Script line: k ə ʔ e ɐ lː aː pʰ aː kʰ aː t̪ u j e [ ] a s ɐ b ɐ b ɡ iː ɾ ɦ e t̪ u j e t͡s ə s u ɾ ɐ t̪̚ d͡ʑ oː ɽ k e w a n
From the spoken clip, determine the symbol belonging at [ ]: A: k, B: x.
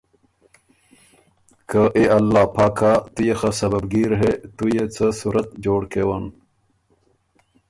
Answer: B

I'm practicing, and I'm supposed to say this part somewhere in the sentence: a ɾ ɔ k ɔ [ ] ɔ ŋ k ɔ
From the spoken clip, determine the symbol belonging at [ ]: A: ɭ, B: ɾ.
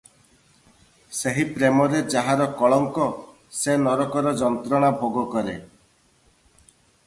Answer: A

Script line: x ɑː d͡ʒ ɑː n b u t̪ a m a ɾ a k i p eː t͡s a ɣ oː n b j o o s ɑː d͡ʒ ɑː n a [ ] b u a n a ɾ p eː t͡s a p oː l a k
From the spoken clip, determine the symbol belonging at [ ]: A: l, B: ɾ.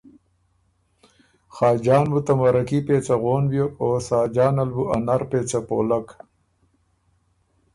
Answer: A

